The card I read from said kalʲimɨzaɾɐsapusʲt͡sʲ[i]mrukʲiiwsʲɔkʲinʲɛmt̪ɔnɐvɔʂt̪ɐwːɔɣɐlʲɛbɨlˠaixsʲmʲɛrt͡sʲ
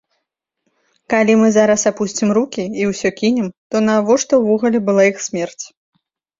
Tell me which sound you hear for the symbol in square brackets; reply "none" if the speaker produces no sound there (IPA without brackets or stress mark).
i